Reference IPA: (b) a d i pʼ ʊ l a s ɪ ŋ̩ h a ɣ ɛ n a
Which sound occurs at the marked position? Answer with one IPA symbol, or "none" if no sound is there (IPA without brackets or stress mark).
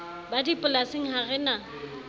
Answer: b